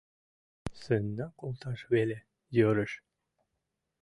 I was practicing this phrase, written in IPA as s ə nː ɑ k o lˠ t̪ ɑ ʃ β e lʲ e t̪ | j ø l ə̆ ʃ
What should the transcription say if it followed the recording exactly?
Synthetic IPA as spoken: s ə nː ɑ k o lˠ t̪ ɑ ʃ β e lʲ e | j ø ɾ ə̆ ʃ